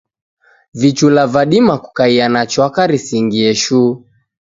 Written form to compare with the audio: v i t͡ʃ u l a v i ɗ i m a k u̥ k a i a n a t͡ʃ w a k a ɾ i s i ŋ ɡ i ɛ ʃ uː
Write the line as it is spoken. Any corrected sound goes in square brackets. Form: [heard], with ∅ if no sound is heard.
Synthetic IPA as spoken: v i t͡ʃ u l a v [a] ɗ i m a k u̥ k a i a n a t͡ʃ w a k a ɾ i s i ŋ ɡ i ɛ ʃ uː